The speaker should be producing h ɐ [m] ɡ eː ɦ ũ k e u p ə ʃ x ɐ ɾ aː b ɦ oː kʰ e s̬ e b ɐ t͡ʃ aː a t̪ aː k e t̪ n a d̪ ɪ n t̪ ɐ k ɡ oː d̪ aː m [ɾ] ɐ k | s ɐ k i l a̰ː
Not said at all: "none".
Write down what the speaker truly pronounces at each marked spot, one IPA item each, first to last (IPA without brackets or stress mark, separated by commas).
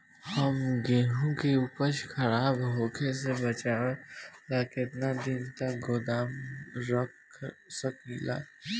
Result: m, ɾ